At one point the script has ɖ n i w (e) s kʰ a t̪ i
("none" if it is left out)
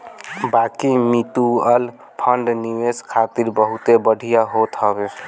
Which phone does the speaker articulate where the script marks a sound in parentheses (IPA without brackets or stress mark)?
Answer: e